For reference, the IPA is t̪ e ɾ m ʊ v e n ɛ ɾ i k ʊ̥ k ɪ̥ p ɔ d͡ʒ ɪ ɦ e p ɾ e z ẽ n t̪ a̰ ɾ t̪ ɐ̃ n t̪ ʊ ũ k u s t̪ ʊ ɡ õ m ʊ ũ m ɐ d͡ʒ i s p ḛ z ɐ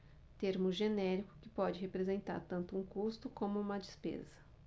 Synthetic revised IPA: t̪ e ɾ m ʊ ʒ e n ɛ ɾ i k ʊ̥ k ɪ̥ p ɔ d͡ʒ ɪ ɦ e p ɾ e z ẽ n t̪ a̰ ɾ t̪ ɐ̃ n t̪ ʊ ũ k u s t̪ ʊ k õ m ʊ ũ m ɐ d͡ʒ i s p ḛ z ɐ